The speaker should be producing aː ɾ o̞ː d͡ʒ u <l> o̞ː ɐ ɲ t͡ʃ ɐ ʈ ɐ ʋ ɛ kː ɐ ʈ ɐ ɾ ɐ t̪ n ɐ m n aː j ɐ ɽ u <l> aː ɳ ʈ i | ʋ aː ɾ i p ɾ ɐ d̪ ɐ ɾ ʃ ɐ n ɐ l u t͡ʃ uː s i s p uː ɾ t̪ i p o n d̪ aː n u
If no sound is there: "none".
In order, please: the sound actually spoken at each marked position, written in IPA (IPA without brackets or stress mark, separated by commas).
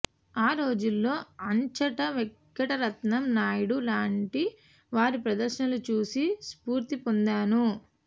lː, l